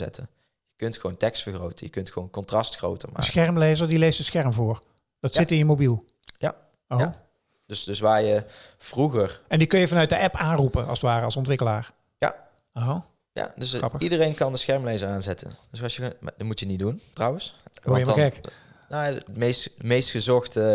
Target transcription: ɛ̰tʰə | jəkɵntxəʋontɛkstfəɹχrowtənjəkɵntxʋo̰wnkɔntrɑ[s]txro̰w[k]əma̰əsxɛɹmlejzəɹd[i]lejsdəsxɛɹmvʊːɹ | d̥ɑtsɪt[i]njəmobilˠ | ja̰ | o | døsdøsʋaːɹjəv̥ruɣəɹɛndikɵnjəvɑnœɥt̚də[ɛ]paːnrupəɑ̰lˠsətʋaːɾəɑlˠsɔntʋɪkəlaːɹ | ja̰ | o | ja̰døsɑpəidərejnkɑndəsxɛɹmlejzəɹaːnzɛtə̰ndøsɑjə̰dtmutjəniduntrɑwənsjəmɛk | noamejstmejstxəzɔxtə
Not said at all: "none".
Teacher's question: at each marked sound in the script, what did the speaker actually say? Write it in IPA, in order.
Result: s, t, i, ɪ, ɛ

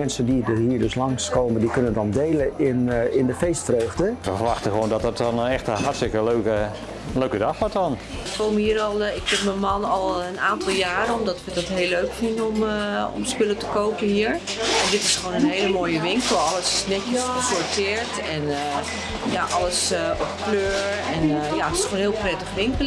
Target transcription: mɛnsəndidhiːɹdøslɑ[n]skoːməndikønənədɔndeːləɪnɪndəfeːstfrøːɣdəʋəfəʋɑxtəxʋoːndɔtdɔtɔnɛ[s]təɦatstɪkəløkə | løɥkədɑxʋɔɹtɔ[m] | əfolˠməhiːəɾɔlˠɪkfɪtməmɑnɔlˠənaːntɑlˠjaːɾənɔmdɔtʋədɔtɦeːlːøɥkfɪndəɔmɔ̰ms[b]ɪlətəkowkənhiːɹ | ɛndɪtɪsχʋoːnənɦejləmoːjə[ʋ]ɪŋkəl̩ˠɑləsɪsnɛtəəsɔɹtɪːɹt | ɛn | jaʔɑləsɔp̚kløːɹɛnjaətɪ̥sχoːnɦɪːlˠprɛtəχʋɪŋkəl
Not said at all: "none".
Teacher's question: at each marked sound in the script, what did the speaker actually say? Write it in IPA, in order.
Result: ŋ, x, n, p, ʋ

